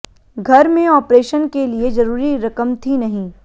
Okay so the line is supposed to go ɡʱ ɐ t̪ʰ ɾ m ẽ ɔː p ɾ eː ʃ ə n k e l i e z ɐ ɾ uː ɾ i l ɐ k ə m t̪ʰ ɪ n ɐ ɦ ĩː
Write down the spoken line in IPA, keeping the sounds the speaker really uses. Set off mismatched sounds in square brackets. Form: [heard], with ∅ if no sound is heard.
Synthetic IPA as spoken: ɡʱ ɐ [∅] ɾ m ẽ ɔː p ɾ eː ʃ ə n k e l i e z ɐ ɾ uː ɾ i [ɾ] ɐ k ə m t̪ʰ [i] n ɐ ɦ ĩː